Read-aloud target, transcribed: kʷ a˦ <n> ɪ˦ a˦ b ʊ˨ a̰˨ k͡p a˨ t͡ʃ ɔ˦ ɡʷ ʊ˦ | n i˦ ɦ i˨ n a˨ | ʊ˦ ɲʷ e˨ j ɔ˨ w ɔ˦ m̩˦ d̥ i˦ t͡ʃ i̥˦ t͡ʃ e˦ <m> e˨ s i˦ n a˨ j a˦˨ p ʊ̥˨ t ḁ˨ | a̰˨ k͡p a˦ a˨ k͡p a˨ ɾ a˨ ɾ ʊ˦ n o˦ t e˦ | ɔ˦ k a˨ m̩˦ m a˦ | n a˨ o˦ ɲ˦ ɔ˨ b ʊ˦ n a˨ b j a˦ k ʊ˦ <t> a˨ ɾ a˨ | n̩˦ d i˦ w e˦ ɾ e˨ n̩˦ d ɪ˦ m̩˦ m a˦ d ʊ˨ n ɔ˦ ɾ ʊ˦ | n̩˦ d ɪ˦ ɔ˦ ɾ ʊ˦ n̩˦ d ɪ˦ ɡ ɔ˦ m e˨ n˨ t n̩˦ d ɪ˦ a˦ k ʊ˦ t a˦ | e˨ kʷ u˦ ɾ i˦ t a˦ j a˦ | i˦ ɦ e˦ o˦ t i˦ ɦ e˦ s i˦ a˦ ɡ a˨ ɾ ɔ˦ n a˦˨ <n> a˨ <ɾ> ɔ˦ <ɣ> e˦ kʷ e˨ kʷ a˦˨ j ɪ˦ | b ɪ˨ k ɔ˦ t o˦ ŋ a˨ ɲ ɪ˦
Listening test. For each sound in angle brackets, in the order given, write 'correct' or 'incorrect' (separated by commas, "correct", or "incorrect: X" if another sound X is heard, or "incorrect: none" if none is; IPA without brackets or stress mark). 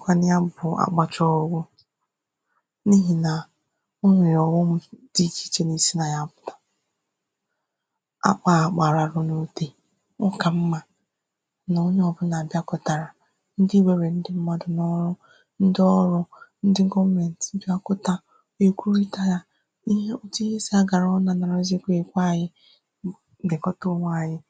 correct, incorrect: n, correct, correct, correct, incorrect: z